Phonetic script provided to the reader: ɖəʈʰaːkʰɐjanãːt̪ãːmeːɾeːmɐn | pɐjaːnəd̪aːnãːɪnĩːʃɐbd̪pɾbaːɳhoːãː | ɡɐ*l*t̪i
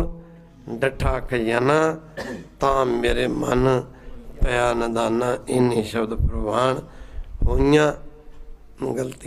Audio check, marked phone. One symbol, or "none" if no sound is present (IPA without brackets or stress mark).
l